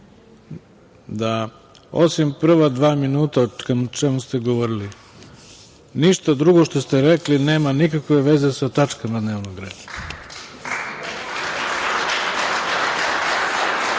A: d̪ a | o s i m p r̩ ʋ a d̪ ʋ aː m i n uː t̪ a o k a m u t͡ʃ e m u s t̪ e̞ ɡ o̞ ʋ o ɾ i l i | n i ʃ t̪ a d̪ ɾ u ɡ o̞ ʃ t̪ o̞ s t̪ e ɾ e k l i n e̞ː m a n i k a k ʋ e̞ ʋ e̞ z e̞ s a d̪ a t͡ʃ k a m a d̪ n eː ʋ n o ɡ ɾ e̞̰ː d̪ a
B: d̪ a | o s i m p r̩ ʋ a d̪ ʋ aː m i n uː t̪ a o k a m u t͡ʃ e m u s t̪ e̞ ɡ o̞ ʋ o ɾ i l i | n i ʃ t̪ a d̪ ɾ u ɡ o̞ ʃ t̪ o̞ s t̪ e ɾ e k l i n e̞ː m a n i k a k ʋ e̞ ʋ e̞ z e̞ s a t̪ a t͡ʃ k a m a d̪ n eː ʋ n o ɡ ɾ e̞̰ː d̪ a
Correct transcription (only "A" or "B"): B